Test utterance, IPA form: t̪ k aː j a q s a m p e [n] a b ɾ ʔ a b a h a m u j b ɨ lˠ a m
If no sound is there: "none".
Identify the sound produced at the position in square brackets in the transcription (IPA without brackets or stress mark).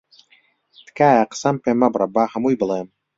m